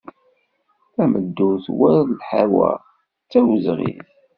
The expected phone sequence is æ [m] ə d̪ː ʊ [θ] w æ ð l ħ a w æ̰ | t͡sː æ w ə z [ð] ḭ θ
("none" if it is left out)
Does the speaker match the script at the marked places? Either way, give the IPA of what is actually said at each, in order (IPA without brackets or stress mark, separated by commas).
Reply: m, θ, ʁ